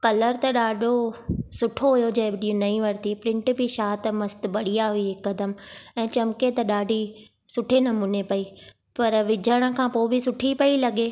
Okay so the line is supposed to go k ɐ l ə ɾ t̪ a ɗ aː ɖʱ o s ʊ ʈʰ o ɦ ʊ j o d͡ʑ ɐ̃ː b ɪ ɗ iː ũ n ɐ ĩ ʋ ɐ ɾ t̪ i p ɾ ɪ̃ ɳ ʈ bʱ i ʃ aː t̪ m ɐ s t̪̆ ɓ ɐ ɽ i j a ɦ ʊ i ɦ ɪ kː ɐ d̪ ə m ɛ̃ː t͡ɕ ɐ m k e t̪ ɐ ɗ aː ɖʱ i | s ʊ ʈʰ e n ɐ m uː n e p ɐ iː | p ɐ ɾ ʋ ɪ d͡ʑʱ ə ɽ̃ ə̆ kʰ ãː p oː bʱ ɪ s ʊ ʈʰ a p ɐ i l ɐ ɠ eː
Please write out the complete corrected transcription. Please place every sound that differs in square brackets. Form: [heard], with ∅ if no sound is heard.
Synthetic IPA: k ɐ l ə ɾ t̪ [ɐ] ɗ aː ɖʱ o s ʊ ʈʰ o ɦ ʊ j o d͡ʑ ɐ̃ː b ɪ ɗ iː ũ n ɐ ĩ ʋ ɐ ɾ t̪ i p ɾ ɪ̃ ɳ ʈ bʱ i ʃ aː t̪ m ɐ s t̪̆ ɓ ɐ ɽ i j a ɦ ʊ i ɦ ɪ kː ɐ d̪ ə m ɛ̃ː t͡ɕ ɐ m k e t̪ ɐ ɗ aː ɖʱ i | s ʊ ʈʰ e n ɐ m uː n e p ɐ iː | p ɐ ɾ ʋ ɪ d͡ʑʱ ə ɽ̃ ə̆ kʰ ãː p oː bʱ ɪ s ʊ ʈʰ [i] p ɐ i l ɐ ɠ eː

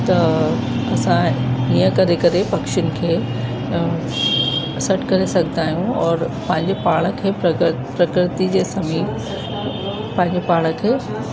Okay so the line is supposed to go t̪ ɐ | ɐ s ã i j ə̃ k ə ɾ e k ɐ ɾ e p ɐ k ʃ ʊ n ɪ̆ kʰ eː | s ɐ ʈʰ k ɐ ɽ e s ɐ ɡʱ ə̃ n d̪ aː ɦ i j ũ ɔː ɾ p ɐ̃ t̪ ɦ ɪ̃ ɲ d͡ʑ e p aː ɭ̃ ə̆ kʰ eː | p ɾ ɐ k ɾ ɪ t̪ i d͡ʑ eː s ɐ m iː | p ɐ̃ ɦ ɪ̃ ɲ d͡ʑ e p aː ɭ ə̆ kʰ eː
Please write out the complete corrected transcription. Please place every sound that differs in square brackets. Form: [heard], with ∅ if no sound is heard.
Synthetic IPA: t̪ ɐ | ɐ s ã i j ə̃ k [ɐ] ɾ e k ɐ ɾ e p ɐ k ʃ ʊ n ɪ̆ kʰ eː | s ɐ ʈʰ k ɐ [ɾ] e s ɐ ɡʱ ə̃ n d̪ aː ɦ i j ũ ɔː ɾ p ɐ̃ [∅] ɦ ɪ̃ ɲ d͡ʑ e p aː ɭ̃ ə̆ kʰ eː | p ɾ ɐ k ɾ ɪ t̪ i d͡ʑ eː s ɐ m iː | p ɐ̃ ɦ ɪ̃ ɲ d͡ʑ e p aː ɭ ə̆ kʰ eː

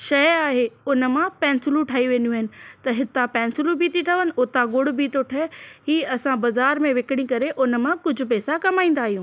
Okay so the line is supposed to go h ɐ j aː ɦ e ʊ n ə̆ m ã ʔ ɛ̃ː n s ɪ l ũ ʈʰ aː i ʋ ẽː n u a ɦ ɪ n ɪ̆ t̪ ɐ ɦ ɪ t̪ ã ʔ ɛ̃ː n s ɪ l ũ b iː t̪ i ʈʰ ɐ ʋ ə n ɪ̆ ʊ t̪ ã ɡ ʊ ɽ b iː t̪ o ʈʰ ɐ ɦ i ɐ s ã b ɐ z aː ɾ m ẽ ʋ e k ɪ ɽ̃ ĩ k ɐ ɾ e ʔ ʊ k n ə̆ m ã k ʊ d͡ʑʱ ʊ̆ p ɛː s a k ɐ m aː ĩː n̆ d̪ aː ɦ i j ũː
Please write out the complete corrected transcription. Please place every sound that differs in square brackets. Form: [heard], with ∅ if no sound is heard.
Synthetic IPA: [ʃ] ɐ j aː ɦ e ʊ n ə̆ m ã [p] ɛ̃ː n s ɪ l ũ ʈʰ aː i ʋ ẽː n u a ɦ ɪ n ɪ̆ t̪ ɐ ɦ ɪ t̪ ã [p] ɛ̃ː n s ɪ l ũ b iː t̪ i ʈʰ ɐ ʋ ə n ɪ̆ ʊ t̪ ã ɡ ʊ ɽ b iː t̪ o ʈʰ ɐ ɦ [iː] ɐ s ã b ɐ z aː ɾ m ẽ ʋ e k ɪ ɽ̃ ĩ k ɐ ɾ e ʔ ʊ [∅] n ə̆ m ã k ʊ d͡ʑʱ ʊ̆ p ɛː s a k ɐ m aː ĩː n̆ d̪ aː ɦ i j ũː

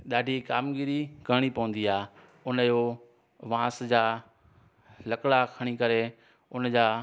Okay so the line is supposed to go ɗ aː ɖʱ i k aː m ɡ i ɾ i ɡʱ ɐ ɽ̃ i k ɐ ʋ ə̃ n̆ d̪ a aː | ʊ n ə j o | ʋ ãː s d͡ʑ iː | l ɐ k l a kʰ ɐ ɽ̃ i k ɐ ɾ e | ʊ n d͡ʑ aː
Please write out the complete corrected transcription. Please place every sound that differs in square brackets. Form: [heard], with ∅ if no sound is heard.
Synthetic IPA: ɗ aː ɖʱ i k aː m ɡ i ɾ i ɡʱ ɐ ɽ̃ i [p] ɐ ʋ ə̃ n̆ d̪ [i] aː | ʊ n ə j o | ʋ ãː s d͡ʑ [aː] | l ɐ k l a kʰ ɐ ɽ̃ i k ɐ ɾ e | ʊ n d͡ʑ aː

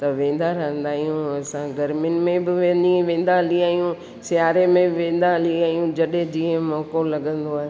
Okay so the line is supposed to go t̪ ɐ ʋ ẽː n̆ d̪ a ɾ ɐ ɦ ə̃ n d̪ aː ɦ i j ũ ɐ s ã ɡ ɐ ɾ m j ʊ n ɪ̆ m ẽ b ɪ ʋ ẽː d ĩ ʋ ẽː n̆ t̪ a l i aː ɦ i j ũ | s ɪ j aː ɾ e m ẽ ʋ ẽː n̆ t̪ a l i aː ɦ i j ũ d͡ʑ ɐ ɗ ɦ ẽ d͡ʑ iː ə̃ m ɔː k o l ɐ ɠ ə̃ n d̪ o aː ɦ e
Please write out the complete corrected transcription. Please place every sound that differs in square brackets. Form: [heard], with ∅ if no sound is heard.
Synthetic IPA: t̪ ɐ ʋ ẽː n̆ d̪ a ɾ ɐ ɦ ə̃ n d̪ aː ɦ i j ũ ɐ s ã ɡ ɐ ɾ m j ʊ n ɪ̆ m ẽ b ɪ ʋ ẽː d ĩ ʋ ẽː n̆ [d̪] a l i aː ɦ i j ũ | s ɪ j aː ɾ e m ẽ ʋ ẽː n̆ [d̪] a l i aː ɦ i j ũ d͡ʑ ɐ ɗ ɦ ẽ d͡ʑ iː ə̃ m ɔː k o l ɐ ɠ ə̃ n d̪ o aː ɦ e

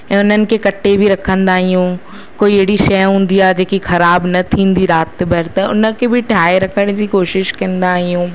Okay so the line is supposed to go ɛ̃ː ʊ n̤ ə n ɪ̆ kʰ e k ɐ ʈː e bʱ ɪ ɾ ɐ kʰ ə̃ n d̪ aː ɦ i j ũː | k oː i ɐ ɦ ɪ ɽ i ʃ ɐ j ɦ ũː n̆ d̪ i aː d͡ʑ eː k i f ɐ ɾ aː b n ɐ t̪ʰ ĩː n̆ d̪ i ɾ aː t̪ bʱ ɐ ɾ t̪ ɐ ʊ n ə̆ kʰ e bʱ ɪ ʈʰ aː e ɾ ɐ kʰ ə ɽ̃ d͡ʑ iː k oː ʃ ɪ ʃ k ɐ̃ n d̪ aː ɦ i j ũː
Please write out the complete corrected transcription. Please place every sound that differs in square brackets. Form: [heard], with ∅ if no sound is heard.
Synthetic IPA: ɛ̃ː ʊ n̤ ə n ɪ̆ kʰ e k ɐ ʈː e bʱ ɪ ɾ ɐ kʰ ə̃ n d̪ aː ɦ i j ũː | k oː i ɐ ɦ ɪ ɽ i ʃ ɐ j ɦ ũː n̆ d̪ i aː d͡ʑ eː k i [x] ɐ ɾ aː b n ɐ t̪ʰ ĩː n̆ d̪ i ɾ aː t̪ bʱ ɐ ɾ t̪ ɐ ʊ n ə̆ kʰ e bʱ ɪ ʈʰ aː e ɾ ɐ kʰ ə ɽ̃ d͡ʑ iː k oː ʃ ɪ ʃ k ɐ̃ n d̪ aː ɦ i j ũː

